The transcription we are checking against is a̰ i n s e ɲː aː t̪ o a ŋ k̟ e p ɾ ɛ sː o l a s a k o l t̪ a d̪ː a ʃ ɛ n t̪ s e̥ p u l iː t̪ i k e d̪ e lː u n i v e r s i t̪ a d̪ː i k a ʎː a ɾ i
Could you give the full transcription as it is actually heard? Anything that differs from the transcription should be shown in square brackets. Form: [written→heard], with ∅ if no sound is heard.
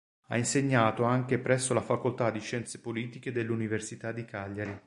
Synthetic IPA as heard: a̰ i n s e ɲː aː t̪ o a ŋ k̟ e p ɾ ɛ sː o l a [s→f] a k o l t̪ a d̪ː [a→i] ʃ ɛ n t̪ s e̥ p [u→o] l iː t̪ i k e d̪ e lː u n i v e r s i t̪ a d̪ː i k a ʎː a ɾ i